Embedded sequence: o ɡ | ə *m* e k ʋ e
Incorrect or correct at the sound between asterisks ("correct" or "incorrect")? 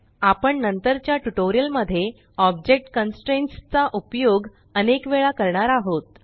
incorrect